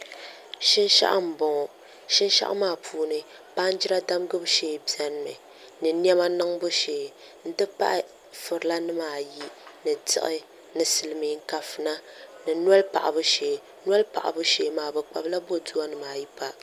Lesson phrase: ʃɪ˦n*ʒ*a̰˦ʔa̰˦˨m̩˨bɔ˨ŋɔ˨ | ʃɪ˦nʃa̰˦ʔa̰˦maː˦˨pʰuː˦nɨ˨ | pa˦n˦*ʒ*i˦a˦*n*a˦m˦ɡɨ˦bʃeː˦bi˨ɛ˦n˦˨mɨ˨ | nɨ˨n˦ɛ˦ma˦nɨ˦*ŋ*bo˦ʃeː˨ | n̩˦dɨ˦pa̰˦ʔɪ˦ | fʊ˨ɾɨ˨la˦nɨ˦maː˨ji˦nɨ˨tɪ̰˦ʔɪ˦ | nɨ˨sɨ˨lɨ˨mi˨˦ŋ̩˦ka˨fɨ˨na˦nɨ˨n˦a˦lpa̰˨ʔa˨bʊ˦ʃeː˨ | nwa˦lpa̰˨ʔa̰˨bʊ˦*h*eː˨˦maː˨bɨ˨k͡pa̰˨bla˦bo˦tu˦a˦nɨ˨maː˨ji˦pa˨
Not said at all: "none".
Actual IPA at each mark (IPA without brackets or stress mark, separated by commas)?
ʃ, d͡ʒ, d, ŋ, ʃ